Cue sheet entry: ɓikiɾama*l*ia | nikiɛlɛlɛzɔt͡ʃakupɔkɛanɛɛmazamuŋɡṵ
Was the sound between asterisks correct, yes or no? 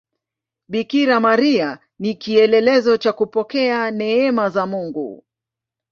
no